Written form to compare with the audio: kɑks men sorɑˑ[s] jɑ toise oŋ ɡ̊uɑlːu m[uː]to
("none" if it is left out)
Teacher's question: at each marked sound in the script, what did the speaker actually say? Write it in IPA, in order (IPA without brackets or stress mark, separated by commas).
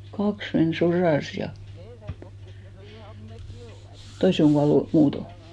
s, uː